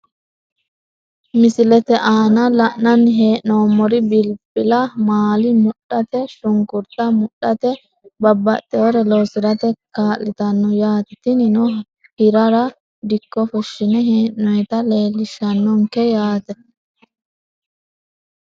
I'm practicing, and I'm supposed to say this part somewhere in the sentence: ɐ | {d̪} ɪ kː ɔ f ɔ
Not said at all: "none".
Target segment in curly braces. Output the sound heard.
d̪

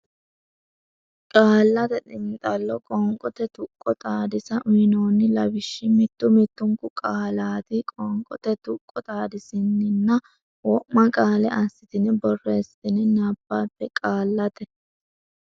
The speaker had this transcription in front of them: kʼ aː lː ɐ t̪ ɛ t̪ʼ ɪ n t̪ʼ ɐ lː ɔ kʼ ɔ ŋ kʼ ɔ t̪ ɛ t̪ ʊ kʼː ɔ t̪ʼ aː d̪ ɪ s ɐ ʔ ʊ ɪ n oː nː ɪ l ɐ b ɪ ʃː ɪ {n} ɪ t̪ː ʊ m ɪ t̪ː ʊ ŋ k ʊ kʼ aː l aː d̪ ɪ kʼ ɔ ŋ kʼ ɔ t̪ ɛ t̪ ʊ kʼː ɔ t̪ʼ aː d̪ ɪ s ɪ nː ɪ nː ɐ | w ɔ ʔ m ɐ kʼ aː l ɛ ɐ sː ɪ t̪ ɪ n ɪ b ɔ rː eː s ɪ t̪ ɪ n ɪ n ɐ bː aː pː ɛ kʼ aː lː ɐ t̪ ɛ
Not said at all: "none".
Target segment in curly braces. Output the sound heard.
m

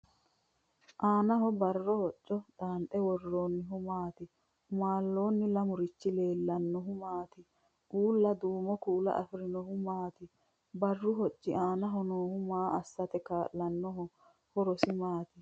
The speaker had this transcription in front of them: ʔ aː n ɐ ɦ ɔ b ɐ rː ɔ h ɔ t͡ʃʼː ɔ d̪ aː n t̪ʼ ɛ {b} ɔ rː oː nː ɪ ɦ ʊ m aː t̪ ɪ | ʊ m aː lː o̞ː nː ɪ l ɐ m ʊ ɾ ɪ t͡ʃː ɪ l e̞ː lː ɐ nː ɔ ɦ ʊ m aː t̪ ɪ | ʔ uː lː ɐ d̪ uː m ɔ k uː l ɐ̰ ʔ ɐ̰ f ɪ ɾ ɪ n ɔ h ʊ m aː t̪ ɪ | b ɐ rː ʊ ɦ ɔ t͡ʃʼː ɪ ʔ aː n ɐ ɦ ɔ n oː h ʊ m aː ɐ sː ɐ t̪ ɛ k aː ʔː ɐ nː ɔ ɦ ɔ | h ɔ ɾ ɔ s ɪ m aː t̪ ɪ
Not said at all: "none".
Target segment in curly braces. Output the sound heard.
w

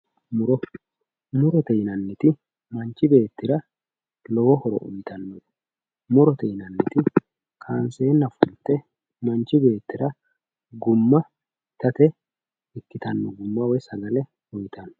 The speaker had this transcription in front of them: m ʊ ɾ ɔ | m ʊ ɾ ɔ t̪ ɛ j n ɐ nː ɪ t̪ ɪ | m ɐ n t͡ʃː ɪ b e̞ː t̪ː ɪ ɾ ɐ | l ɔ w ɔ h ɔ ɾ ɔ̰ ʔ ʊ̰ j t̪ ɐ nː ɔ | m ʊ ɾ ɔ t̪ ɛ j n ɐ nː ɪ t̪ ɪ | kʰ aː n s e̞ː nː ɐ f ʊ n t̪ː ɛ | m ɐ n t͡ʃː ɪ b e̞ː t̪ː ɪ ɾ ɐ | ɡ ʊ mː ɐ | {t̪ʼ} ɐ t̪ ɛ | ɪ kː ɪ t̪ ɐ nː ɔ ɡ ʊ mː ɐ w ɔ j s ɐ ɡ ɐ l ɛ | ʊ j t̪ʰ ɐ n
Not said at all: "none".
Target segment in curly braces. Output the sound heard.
t̪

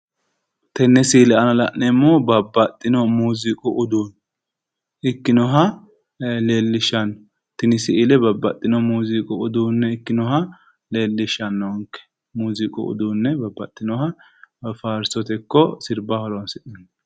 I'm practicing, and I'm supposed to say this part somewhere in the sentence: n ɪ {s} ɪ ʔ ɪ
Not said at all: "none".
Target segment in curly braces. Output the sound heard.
s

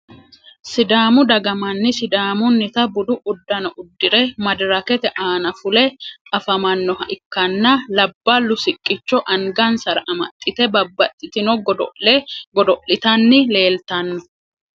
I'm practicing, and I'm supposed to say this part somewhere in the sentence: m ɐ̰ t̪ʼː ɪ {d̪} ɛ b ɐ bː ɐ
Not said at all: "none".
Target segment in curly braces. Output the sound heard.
t̪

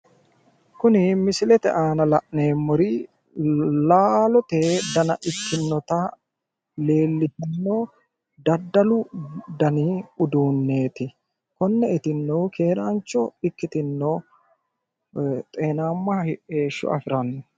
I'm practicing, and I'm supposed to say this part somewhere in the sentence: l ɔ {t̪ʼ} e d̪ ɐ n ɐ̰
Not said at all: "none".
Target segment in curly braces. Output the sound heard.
t̪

